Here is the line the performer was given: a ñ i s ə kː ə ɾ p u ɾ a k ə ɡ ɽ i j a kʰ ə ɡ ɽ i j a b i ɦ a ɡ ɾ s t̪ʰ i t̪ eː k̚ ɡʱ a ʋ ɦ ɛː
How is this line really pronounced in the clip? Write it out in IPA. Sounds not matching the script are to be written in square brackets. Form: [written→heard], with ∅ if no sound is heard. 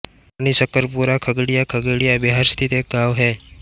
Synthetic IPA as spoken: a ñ i s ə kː ə ɾ p u ɾ a [k→kʰ] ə ɡ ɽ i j a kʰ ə ɡ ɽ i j a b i ɦ a [ɡ→∅] ɾ s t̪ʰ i t̪ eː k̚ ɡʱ a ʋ ɦ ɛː

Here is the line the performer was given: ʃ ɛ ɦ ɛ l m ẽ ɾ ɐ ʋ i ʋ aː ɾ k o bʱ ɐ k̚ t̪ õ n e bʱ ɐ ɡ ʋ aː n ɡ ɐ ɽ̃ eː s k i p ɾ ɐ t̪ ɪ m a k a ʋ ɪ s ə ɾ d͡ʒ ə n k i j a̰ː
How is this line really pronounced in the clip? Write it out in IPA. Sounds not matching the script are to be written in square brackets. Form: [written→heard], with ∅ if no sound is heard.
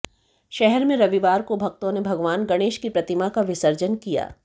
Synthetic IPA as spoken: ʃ ɛ ɦ ɛ [l→ɾ] m ẽ ɾ ɐ ʋ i ʋ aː ɾ k o bʱ ɐ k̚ t̪ õ n e bʱ ɐ ɡ ʋ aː n ɡ ɐ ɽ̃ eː [s→ʃ] k i p ɾ ɐ t̪ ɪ m a k a ʋ ɪ s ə ɾ d͡ʒ ə n k i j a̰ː

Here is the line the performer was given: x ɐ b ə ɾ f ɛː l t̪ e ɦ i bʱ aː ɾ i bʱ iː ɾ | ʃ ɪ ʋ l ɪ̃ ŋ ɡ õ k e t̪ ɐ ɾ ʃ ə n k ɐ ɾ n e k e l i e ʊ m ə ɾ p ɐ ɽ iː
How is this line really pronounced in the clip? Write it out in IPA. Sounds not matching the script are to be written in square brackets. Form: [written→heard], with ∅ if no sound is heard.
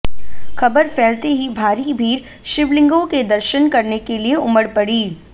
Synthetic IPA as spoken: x ɐ b ə ɾ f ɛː l t̪ e ɦ i bʱ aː ɾ i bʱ iː ɾ | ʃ ɪ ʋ l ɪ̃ ŋ ɡ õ k e [t̪→d̪] ɐ ɾ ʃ ə n k ɐ ɾ n e k e l i e ʊ m ə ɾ p ɐ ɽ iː

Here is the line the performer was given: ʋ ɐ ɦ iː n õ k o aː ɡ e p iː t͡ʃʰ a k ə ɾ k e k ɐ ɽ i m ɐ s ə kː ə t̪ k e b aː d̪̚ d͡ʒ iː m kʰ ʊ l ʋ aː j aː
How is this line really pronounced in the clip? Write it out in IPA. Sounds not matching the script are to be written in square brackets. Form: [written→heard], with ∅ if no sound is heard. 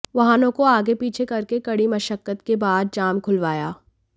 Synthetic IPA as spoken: ʋ ɐ ɦ [iː→aː] n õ k o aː ɡ e p iː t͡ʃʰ [a→e] k [ə→ɐ] ɾ k e k ɐ ɽ i m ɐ [s→ʃ] ə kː ə t̪ k e b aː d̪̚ d͡ʒ [iː→aː] m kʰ ʊ l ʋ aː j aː

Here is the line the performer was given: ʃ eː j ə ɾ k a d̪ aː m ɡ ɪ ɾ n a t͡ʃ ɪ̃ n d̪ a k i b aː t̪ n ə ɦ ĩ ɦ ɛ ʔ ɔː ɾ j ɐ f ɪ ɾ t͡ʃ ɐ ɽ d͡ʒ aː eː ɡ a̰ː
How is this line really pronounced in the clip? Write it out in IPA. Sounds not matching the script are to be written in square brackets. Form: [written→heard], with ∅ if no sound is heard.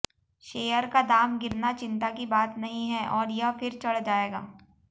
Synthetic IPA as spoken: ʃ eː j ə ɾ k a d̪ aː m ɡ ɪ ɾ n a t͡ʃ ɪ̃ n [d̪→t̪] a k i b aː t̪ n [ə→ɐ] ɦ ĩ ɦ ɛ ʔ ɔː ɾ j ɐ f ɪ ɾ t͡ʃ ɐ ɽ d͡ʒ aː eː ɡ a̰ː

